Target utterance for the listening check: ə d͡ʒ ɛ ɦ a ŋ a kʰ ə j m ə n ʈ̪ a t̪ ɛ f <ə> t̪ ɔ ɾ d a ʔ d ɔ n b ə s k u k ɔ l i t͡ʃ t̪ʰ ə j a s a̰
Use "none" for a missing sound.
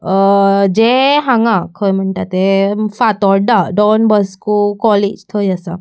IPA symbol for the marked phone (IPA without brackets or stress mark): a